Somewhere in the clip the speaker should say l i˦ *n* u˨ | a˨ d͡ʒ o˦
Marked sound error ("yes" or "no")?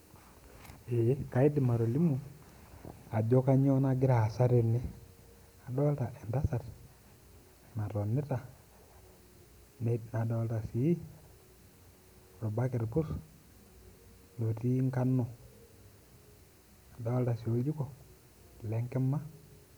yes